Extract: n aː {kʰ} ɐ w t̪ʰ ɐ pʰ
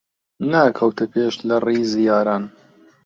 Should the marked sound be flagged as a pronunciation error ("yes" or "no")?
no